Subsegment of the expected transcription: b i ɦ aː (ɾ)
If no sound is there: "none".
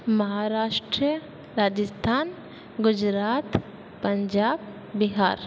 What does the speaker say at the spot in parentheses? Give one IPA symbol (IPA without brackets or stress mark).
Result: ɾ